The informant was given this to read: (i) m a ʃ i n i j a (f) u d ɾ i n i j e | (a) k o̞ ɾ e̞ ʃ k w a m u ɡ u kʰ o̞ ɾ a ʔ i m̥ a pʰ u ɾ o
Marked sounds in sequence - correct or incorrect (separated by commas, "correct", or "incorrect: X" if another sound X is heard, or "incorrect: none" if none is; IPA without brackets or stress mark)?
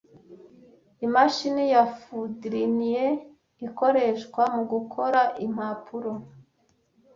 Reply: correct, correct, incorrect: i